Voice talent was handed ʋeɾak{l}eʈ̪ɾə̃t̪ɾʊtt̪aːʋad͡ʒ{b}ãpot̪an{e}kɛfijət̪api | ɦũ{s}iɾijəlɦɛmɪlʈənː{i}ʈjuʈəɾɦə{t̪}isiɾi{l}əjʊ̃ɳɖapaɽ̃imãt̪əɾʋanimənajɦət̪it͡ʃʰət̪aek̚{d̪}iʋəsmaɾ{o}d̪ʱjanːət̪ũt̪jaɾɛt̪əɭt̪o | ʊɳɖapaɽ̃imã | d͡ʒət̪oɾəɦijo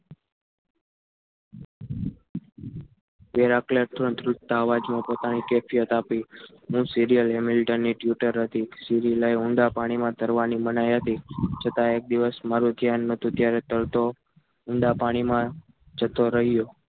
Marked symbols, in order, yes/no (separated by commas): yes, no, no, yes, yes, yes, yes, yes, no